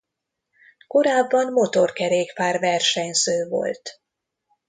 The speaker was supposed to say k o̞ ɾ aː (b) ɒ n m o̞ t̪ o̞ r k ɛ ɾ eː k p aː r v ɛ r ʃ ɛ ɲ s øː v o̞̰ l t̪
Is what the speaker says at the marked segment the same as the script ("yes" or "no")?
no